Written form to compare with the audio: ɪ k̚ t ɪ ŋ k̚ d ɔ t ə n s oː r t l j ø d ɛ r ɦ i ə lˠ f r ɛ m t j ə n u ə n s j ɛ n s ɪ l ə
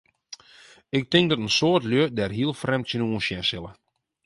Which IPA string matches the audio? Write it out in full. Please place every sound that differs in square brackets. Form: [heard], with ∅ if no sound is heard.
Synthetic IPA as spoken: ɪ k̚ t ɪ ŋ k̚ d ɔ t ə n s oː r t l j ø d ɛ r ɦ i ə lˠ f r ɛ m t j ə n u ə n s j ɛ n s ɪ l ə